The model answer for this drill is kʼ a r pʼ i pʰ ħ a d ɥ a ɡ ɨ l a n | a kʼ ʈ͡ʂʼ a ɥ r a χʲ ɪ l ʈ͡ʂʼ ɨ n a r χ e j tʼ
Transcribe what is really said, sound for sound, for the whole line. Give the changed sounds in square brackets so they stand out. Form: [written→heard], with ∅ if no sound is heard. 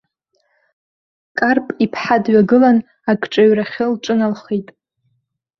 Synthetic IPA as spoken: kʼ a r pʼ i pʰ ħ a d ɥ a ɡ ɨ l a n | a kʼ ʈ͡ʂʼ a ɥ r a χʲ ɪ l ʈ͡ʂʼ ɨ n a [r→l] χ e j tʼ